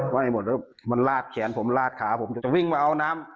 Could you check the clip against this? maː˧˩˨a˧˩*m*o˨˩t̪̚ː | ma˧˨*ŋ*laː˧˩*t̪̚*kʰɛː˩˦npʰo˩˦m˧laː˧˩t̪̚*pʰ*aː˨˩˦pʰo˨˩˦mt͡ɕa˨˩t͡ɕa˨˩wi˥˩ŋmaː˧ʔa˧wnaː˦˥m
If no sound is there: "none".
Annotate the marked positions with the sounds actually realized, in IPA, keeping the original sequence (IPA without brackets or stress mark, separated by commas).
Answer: m, n, t̪̚, kʰ